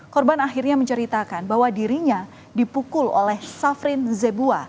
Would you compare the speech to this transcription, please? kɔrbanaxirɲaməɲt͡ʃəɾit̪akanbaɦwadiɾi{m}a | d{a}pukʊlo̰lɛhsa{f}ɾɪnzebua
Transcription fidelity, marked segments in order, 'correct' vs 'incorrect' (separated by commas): incorrect, incorrect, correct